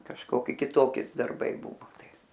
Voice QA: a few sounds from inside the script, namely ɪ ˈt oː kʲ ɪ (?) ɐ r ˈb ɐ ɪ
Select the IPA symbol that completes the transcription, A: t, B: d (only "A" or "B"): B